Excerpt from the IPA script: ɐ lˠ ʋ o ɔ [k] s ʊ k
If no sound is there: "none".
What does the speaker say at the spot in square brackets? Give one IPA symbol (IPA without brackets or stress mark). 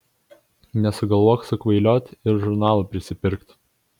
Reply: k